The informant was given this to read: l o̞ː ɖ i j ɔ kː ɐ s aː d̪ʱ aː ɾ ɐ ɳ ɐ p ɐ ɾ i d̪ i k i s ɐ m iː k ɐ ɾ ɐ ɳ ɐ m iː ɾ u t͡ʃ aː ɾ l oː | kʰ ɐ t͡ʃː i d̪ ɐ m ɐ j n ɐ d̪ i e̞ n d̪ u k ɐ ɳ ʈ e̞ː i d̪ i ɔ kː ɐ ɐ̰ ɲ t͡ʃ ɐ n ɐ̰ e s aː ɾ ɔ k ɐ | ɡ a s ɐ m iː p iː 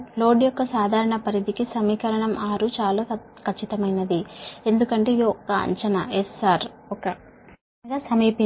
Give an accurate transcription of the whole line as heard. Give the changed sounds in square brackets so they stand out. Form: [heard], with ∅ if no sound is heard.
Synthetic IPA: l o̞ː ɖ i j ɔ kː ɐ s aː d̪ʱ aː ɾ ɐ ɳ ɐ p ɐ ɾ i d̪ i k i s ɐ m iː k ɐ ɾ ɐ ɳ ɐ m [aː] ɾ u t͡ʃ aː [∅] l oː | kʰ ɐ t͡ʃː i [t̪] ɐ m ɐ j n ɐ d̪ i e̞ n d̪ u k ɐ ɳ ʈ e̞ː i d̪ i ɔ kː ɐ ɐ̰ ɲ t͡ʃ ɐ n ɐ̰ e s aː ɾ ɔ k ɐ | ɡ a s ɐ m iː p [i]